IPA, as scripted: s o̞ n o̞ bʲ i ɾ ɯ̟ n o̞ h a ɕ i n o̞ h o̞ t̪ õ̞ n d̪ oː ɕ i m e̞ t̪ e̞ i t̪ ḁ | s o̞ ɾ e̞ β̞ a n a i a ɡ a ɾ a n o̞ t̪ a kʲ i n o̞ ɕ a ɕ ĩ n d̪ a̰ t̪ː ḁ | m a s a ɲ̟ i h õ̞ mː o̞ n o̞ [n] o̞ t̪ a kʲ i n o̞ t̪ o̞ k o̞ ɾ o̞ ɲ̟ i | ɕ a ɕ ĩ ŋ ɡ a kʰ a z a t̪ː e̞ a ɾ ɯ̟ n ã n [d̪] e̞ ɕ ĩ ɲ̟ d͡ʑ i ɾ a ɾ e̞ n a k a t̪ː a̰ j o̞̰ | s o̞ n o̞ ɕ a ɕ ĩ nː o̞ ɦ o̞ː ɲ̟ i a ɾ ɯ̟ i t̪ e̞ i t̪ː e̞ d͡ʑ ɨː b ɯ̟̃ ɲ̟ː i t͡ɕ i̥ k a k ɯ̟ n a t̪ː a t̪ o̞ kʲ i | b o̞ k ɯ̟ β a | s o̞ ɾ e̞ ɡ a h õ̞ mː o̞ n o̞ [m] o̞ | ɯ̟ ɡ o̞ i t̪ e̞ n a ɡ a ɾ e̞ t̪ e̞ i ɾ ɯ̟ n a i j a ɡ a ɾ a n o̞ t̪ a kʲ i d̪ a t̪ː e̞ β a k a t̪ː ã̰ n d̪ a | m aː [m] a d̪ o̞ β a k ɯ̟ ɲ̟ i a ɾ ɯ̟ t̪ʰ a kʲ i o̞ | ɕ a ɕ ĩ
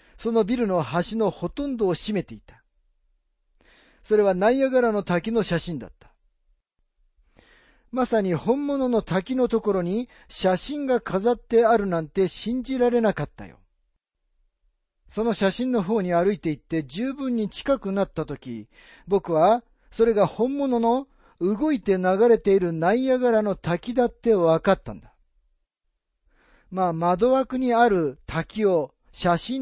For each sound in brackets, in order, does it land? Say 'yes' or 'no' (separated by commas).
yes, no, no, yes